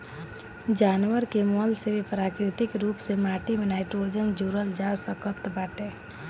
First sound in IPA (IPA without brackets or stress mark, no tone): d͡ʒ